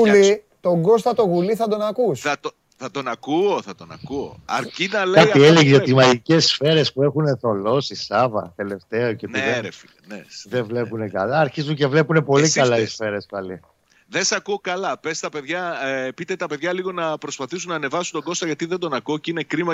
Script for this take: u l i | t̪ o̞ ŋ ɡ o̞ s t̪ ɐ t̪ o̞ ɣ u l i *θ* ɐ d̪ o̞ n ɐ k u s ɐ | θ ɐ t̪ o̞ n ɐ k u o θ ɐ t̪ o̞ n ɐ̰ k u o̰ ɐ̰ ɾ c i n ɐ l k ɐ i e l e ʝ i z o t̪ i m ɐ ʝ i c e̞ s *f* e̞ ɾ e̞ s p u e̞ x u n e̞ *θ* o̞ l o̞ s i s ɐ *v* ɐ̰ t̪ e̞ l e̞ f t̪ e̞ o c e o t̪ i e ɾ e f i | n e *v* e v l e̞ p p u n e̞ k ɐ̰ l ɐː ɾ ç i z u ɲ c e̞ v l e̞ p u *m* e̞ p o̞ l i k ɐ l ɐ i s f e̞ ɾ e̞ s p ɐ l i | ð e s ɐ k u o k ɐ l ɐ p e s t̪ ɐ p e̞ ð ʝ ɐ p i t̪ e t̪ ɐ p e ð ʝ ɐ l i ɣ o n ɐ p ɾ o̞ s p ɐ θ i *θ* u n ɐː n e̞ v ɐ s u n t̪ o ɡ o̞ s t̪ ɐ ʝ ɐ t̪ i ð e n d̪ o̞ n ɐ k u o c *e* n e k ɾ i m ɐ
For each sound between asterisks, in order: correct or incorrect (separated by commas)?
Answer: correct, correct, correct, correct, incorrect, incorrect, incorrect, incorrect